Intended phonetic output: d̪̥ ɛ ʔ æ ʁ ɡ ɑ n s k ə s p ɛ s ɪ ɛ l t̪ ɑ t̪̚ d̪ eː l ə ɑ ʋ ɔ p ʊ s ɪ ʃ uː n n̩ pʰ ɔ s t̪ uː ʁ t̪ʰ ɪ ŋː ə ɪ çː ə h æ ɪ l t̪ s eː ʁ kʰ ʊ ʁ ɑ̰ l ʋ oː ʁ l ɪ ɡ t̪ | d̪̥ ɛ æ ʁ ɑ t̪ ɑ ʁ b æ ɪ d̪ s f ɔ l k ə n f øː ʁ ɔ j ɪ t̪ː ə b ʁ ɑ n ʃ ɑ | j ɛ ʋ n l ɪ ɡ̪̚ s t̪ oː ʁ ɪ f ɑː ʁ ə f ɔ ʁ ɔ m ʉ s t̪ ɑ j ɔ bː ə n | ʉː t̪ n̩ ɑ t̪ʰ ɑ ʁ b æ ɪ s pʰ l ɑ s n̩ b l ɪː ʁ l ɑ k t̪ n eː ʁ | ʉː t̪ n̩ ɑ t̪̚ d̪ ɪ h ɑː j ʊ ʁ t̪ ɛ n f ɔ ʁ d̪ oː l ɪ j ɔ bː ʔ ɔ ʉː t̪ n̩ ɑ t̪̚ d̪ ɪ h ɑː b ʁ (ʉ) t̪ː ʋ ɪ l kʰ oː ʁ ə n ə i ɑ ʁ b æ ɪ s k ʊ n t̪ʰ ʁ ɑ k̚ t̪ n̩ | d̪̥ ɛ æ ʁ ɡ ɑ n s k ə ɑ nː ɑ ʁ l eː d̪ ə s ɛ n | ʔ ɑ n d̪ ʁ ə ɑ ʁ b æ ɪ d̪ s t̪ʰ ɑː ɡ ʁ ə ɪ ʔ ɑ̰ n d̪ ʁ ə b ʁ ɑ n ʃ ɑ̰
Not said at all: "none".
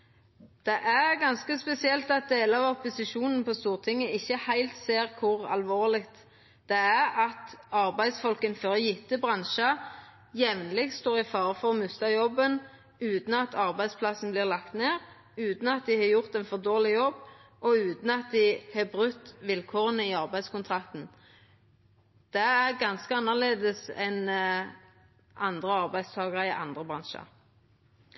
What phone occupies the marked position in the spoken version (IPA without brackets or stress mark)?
ʉ